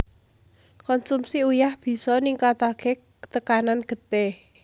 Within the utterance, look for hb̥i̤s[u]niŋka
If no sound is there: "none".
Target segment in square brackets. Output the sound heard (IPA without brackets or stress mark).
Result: ɔ